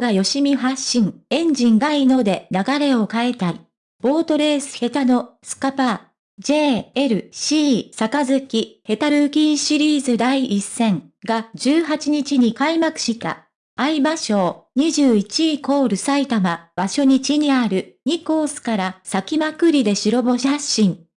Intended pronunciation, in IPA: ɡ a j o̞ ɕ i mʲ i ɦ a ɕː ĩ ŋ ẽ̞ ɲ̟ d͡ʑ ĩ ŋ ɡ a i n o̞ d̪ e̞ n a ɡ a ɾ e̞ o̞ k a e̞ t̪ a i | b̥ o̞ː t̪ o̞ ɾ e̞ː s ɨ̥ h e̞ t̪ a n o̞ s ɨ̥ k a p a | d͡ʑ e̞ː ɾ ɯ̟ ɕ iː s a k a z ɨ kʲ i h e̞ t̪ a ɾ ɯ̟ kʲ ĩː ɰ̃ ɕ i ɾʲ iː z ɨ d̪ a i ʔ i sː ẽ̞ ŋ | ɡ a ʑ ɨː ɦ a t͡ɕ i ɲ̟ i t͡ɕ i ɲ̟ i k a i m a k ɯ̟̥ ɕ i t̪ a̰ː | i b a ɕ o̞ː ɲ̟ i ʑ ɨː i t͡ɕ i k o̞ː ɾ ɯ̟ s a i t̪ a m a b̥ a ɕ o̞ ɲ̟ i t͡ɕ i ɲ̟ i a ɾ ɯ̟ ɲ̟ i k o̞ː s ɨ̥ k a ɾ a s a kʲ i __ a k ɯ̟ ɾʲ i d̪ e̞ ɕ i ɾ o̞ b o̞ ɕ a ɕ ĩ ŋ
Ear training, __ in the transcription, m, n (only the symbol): m